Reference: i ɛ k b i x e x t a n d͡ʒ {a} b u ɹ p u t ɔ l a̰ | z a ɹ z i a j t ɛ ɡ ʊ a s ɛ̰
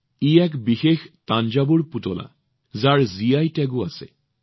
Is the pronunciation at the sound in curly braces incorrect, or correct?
correct